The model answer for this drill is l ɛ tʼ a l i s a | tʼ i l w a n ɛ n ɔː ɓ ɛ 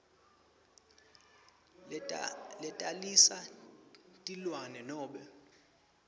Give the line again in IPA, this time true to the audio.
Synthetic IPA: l ɛ tʼ a l i s a | tʼ i l w a n ɛ n ɔː ɓ ɛ